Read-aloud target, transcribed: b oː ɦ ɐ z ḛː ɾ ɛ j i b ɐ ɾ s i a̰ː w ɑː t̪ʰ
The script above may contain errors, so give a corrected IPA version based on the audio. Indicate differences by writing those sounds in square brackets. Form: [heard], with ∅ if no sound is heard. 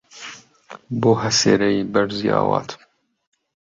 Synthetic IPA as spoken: b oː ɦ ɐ [s] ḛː ɾ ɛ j i b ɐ ɾ [z] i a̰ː w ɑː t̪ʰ